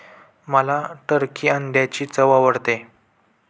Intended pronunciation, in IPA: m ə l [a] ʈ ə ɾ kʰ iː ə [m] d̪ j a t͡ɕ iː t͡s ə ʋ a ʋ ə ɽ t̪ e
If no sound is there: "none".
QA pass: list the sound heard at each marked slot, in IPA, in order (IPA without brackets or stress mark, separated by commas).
a, n